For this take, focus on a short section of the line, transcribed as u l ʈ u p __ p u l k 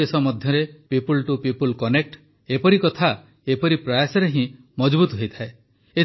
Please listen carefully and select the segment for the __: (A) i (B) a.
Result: A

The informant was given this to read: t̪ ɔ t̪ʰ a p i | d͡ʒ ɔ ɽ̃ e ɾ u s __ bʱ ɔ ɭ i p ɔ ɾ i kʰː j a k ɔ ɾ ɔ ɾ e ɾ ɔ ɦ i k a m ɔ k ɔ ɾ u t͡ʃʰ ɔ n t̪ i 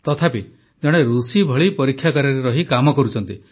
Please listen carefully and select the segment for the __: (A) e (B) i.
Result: B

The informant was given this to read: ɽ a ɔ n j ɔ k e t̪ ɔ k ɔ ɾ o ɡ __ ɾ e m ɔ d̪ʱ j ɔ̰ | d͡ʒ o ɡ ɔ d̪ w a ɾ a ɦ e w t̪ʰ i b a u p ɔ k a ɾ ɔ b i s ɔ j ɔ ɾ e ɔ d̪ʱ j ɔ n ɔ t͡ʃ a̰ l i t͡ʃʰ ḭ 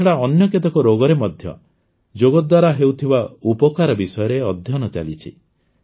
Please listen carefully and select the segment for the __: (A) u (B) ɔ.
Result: B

